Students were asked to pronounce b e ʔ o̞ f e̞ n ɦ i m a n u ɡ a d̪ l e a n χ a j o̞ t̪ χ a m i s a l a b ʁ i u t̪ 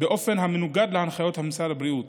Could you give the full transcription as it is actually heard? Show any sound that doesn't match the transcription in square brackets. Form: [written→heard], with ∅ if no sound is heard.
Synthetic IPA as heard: b e ʔ o̞ f e̞ n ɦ [i→a] m [a→e] n u ɡ a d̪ l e a n χ a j o̞ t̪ [χ→h] a m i s a l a b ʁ i u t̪